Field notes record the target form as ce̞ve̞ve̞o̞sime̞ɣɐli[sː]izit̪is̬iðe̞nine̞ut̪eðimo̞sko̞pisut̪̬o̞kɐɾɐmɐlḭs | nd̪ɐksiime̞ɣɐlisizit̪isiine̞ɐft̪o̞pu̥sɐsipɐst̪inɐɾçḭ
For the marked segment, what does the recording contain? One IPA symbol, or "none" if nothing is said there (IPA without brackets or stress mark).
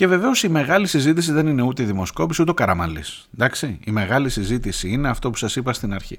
s